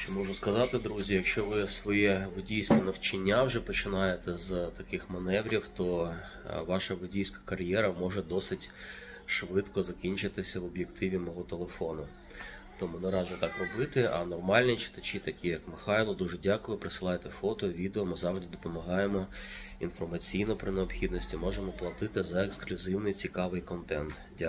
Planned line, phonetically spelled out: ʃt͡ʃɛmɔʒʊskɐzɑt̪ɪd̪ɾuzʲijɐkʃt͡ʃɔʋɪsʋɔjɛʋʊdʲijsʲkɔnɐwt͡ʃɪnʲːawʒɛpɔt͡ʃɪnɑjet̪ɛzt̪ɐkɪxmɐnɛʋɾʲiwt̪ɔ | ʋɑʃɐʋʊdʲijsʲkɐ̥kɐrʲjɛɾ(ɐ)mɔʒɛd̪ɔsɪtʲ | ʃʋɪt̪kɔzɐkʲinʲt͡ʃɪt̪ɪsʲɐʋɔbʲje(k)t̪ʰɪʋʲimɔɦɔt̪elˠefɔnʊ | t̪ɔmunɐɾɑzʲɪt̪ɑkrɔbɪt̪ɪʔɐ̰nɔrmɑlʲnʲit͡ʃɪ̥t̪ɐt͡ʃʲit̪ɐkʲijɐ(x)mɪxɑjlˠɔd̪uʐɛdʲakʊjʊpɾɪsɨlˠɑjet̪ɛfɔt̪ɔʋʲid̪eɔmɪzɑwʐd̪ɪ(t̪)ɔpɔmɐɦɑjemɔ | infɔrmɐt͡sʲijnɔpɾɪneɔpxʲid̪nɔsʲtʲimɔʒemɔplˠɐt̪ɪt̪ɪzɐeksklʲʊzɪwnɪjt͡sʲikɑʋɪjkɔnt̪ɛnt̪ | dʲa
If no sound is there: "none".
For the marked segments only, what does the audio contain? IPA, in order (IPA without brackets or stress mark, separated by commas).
ɐ, k, k, d̪